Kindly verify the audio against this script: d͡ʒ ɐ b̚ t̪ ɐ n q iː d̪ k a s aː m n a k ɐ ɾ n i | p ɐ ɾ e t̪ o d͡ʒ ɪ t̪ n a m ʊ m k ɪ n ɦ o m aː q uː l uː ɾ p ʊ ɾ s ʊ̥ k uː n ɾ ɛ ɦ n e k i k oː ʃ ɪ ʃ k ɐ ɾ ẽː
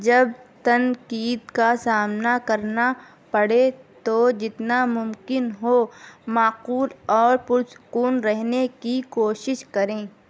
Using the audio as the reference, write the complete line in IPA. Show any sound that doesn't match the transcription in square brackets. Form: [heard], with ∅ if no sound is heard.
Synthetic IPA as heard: d͡ʒ ɐ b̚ t̪ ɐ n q iː d̪ k a s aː m n a k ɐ ɾ n [a] | p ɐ [ɽ] e t̪ o d͡ʒ ɪ t̪ n a m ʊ m k ɪ n ɦ o m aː q uː l [ɔː] ɾ p ʊ ɾ s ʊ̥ k uː n ɾ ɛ ɦ n e k i k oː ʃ ɪ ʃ k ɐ ɾ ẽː

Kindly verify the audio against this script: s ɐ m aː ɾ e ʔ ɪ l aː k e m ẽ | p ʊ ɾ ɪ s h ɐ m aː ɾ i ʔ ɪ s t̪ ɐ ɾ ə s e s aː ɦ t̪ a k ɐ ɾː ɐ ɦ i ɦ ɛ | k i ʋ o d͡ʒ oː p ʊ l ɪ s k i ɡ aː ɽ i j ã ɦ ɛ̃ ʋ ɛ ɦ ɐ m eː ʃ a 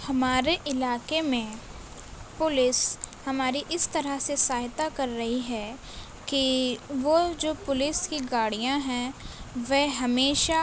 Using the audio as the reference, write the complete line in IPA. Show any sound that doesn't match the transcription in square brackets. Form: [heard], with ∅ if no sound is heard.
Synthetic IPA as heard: [h] ɐ m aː ɾ e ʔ ɪ l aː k e m ẽ | p ʊ [l] ɪ s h ɐ m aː ɾ i ʔ ɪ s t̪ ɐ ɾ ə s e s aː ɦ t̪ a k ɐ ɾː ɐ ɦ i ɦ ɛ | k i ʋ o d͡ʒ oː p ʊ l ɪ s k i ɡ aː ɽ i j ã ɦ ɛ̃ ʋ ɛ ɦ ɐ m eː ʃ a

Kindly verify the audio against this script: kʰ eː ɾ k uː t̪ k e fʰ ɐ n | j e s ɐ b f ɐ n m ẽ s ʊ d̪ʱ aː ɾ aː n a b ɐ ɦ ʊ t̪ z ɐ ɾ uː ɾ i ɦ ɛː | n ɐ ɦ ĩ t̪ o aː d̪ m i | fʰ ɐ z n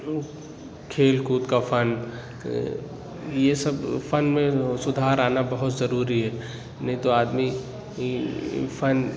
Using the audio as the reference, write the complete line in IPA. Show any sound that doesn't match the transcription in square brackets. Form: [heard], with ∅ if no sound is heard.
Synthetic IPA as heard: kʰ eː [l] k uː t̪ k [a] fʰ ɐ n | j e s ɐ b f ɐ n m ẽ s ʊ d̪ʱ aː ɾ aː n a b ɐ ɦ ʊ t̪ z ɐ ɾ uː ɾ i ɦ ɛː | n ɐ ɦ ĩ t̪ o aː d̪ m i | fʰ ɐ [∅] n

